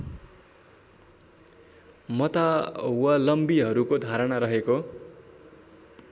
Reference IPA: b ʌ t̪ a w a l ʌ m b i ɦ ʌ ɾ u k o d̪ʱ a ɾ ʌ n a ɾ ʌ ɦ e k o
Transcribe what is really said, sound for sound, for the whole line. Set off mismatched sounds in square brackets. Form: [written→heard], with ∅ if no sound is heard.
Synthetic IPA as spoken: [b→m] ʌ t̪ a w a l ʌ m b i ɦ ʌ ɾ u k o d̪ʱ a ɾ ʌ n a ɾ ʌ ɦ e k o